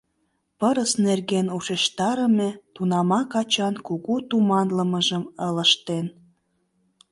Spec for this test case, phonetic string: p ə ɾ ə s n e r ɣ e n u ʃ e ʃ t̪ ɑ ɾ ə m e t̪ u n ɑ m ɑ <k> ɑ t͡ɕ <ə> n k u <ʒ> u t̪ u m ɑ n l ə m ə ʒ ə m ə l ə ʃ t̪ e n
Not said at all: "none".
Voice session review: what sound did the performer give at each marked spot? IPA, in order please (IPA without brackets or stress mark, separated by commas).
k, ɑ, ɣ